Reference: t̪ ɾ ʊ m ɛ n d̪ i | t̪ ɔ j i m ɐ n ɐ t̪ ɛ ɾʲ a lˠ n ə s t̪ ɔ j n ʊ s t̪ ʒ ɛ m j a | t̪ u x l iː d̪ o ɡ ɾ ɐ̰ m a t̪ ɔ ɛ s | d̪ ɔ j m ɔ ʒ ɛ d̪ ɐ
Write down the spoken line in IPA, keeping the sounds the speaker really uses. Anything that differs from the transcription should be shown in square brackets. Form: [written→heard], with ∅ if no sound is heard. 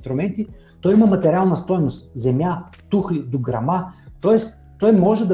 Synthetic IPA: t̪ ɾ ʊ m ɛ n [d̪→t̪] i | t̪ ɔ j i m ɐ [n→m] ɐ t̪ ɛ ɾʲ a lˠ n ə s t̪ ɔ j n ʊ s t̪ [ʒ→z] ɛ m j a | t̪ u x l [iː→i] d̪ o ɡ ɾ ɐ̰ m a t̪ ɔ ɛ s | [d̪→t̪] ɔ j m ɔ ʒ ɛ d̪ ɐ